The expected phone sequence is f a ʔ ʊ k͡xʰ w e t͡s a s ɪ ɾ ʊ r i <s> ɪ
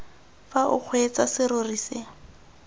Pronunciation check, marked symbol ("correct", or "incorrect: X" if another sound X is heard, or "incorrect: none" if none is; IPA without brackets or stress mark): correct